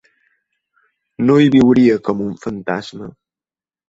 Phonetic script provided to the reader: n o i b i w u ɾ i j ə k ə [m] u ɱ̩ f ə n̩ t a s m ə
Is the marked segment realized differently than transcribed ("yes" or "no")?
no